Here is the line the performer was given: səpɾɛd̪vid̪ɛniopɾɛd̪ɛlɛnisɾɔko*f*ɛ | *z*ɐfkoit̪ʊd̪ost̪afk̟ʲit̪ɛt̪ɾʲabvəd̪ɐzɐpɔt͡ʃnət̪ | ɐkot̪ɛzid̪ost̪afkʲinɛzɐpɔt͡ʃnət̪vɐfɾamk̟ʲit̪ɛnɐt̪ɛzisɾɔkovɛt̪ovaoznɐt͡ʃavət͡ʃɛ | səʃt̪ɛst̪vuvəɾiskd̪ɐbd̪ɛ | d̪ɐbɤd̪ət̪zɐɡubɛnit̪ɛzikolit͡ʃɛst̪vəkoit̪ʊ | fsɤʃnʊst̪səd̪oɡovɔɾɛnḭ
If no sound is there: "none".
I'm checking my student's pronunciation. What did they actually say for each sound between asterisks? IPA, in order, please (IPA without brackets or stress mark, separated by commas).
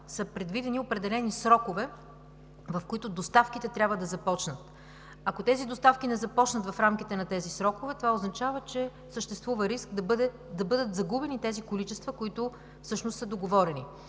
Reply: v, v